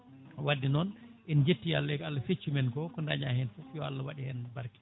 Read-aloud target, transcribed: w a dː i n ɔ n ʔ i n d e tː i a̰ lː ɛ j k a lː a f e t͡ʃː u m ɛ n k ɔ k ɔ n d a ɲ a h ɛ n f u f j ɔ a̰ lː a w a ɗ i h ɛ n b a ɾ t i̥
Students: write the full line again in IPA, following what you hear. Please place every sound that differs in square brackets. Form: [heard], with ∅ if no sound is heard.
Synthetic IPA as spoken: w a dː i n ɔ n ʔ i n [d͡ʒ] e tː i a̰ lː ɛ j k a lː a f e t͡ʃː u m ɛ n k ɔ k ɔ n d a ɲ a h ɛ n f u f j ɔ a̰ lː a w a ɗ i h ɛ n b a ɾ [k] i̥

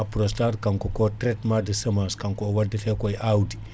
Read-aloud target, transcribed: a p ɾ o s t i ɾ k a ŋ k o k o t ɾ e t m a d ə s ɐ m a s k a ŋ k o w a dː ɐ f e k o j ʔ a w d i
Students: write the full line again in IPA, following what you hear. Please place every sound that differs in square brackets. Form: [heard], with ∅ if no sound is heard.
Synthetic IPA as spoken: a p ɾ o s t [a] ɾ k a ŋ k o k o t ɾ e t m a d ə s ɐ m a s k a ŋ k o w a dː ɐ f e k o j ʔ a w d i

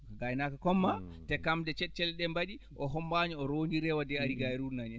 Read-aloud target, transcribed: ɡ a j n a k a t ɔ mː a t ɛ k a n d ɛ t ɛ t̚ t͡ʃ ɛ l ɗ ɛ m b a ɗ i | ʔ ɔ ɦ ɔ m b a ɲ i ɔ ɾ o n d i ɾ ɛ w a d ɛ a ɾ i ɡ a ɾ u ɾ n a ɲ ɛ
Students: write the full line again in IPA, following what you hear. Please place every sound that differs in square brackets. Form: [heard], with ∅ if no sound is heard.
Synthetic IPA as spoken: ɡ a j n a k a [k] ɔ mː a t ɛ k a [m] d ɛ [t͡ʃ] ɛ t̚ t͡ʃ ɛ l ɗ ɛ m b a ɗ i | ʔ ɔ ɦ ɔ m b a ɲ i ɔ ɾ o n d i ɾ ɛ w a d ɛ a ɾ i ɡ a ɾ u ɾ n a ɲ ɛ

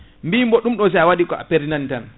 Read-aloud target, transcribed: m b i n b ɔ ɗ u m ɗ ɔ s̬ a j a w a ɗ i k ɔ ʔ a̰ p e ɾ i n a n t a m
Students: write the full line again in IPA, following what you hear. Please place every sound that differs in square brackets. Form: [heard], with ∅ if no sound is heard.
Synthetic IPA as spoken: m b i [m] b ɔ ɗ u m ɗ ɔ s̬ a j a w a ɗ i k ɔ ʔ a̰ p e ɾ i n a n t a [n]

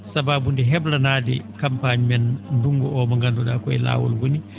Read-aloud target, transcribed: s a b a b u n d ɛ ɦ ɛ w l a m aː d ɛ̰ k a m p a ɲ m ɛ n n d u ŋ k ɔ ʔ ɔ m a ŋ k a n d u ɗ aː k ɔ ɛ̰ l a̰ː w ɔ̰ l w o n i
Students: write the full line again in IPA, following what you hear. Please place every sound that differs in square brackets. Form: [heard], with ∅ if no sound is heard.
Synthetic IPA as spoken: s a b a b u n d ɛ ɦ ɛ [b] l a [n] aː d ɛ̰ k a m p a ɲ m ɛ n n d u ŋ [ɡ] ɔ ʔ ɔ m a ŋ [ɡ] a n d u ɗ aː k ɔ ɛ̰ l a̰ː w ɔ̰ l w o n i

